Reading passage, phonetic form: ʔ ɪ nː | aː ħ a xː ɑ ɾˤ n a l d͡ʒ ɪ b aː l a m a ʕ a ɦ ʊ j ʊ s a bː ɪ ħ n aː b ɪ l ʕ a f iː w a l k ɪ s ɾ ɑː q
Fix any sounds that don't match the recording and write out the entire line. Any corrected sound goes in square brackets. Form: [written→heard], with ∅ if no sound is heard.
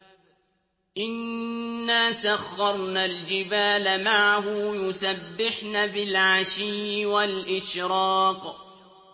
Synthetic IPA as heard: ʔ ɪ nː | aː [ħ→s] a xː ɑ ɾˤ n a l d͡ʒ ɪ b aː l a m a ʕ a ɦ ʊ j ʊ s a bː ɪ ħ n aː b ɪ l ʕ a [f→ʃ] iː w a l [k→ʔ] ɪ [s→ʃ] ɾ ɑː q